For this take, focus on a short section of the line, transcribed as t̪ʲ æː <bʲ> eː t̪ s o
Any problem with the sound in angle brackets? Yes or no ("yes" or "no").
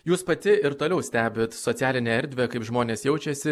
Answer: no